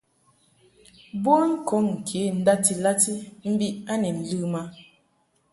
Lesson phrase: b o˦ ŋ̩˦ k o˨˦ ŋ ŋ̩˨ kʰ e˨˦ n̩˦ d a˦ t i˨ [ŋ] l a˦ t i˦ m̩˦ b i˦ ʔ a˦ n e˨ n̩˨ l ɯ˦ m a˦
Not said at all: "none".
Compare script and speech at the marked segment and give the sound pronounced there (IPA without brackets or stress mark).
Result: none